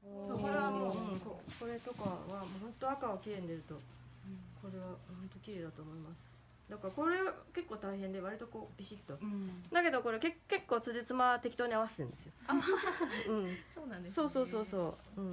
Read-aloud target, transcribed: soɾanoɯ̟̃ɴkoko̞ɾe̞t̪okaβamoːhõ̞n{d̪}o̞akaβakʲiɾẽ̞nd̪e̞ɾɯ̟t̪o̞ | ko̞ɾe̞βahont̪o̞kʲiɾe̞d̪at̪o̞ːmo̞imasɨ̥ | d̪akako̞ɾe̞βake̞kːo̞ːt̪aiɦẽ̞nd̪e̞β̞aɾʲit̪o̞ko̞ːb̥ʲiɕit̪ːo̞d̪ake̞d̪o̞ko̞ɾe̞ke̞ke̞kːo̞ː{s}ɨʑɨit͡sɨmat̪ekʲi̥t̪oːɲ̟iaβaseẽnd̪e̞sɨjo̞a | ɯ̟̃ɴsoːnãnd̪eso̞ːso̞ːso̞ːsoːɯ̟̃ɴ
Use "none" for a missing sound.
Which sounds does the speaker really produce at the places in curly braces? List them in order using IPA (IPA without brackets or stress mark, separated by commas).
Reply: t̪, t͡s